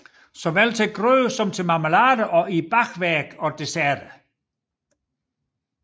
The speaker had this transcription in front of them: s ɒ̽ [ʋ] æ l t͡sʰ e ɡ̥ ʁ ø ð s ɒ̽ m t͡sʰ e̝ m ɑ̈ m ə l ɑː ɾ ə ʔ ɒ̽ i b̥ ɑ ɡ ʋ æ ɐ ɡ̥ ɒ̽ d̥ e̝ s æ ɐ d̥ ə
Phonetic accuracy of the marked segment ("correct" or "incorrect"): correct